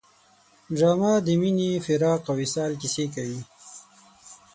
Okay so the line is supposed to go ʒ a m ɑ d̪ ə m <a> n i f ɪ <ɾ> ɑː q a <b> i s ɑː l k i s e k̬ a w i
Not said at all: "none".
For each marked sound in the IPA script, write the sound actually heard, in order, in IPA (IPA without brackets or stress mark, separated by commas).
i, ɾ, w